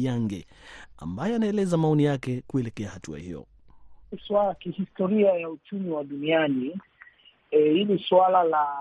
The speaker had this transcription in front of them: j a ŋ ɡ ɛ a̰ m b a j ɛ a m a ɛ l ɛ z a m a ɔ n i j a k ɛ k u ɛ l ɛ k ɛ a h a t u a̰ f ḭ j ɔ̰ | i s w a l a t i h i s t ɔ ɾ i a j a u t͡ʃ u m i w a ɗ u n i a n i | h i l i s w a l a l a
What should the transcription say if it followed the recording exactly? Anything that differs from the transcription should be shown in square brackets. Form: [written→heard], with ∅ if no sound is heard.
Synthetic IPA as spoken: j a ŋ ɡ ɛ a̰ m b a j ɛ a [m→n] a ɛ l ɛ z a m a ɔ n i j a k ɛ k u ɛ l ɛ k ɛ a h a t u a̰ [f→h] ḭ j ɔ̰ | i s w a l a [t→k] i h i s t ɔ ɾ i a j a u t͡ʃ u m i w a ɗ u n i a n i | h i l i s w a l a l a